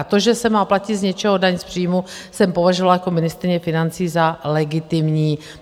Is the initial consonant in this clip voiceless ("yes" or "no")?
yes